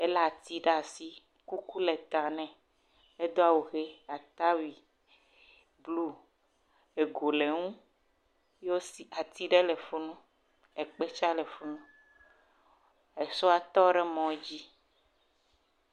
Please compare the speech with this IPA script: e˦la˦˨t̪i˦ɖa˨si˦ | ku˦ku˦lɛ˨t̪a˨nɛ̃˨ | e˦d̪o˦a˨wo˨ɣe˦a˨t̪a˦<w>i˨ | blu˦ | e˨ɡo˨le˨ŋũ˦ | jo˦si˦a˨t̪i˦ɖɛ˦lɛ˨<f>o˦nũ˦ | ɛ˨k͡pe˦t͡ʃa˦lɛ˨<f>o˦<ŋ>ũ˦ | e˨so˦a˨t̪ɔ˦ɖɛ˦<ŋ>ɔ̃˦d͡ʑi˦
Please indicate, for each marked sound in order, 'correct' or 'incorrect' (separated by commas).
correct, correct, correct, incorrect, incorrect